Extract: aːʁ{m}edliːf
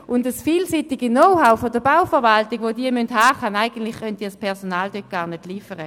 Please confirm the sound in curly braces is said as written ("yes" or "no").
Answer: no